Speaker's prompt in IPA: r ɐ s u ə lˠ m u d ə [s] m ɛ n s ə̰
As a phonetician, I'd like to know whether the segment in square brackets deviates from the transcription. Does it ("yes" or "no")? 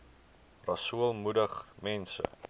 yes